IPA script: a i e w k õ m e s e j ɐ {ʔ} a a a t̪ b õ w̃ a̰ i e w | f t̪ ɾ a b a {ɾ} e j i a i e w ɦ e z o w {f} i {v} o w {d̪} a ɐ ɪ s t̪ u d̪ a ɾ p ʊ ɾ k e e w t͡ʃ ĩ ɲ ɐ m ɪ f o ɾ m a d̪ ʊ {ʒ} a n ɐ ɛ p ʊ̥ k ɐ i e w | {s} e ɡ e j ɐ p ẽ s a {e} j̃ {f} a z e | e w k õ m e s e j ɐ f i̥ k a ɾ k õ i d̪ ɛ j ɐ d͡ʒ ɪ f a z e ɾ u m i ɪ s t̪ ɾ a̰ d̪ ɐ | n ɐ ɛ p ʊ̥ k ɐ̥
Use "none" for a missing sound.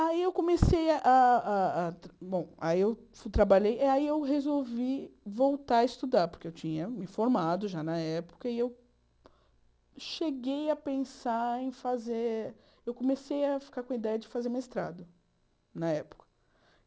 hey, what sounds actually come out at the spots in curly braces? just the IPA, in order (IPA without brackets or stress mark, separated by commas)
ʔ, ʎ, v, v, t̪, ʒ, ʃ, ẽ, f